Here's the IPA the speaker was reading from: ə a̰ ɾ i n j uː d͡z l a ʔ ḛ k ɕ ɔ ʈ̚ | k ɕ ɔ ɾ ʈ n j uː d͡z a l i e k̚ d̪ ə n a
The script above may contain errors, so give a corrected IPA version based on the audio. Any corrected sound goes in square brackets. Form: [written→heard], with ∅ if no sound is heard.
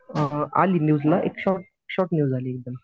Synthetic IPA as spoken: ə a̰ [ɾ→l] i n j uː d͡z l a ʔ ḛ k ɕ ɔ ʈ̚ | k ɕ ɔ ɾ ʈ n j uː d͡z a l i e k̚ d̪ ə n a

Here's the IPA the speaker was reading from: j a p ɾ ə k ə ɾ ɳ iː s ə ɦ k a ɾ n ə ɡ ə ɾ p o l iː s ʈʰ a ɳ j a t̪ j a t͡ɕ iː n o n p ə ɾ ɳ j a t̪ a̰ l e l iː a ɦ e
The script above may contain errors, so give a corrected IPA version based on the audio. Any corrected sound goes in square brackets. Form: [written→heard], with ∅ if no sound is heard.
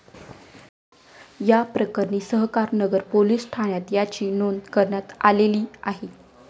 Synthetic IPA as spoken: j a p ɾ ə k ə ɾ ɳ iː s ə ɦ k a ɾ n ə ɡ ə ɾ p o l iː s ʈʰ a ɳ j a t̪ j a t͡ɕ iː n o n [p→k] ə ɾ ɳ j a t̪ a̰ l e l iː a ɦ e

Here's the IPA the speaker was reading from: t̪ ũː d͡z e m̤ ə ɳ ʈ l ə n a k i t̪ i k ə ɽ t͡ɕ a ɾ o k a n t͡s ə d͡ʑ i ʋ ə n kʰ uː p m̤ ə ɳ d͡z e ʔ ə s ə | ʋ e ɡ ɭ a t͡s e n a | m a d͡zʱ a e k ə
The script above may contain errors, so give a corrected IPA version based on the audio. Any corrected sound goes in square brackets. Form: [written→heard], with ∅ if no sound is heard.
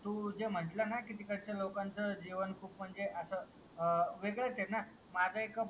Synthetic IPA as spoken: t̪ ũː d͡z e m̤ ə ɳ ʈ l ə n a k i t̪ i k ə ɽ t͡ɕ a [ɾ→l] o k a n t͡s ə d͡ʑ i ʋ ə n kʰ uː p m̤ ə ɳ d͡z e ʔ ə s ə | ʋ e ɡ ɭ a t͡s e n a | m a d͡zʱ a e k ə

